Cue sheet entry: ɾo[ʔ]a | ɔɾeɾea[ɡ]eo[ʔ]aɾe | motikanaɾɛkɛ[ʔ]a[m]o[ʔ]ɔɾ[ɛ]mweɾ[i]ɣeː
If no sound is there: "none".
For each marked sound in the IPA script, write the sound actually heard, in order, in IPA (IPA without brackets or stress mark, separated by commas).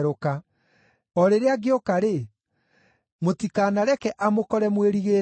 k, ɡ, k, ʔ, m, k, ɛ, i